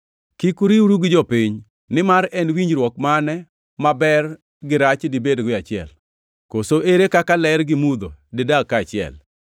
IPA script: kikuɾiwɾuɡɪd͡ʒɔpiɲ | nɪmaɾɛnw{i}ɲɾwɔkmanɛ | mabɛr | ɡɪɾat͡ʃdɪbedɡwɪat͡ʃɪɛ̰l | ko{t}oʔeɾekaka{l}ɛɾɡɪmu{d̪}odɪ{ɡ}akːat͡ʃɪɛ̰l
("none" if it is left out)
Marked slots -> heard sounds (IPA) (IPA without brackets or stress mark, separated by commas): i, s, l, d̪, d